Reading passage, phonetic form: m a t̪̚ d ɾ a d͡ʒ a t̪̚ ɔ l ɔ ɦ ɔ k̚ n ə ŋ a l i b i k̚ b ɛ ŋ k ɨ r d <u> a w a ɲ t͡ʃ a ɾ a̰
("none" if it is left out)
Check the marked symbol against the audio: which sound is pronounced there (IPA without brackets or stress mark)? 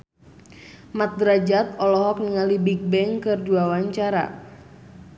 u